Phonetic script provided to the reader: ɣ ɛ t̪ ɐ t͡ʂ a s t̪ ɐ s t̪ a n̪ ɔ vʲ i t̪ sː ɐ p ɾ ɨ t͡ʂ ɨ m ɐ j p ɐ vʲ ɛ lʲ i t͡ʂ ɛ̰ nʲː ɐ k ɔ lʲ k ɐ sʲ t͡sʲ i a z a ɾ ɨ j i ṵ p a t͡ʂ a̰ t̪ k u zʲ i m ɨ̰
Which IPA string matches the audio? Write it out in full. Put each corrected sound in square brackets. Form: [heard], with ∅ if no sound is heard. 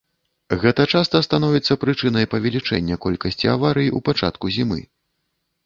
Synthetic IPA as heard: ɣ ɛ t̪ ɐ t͡ʂ a s t̪ ɐ s t̪ a n̪ ɔ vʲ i t̪ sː ɐ p ɾ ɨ t͡ʂ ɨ [n] ɐ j p ɐ vʲ ɛ lʲ i t͡ʂ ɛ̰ nʲː ɐ k ɔ lʲ k ɐ sʲ t͡sʲ i a [v] a ɾ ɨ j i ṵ p a t͡ʂ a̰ t̪ k u zʲ i m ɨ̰